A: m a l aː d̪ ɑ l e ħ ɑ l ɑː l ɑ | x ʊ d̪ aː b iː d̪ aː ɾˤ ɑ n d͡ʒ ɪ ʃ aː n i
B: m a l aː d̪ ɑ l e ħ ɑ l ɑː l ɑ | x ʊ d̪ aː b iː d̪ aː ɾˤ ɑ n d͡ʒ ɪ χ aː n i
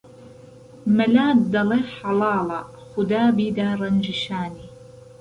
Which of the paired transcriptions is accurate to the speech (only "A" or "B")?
A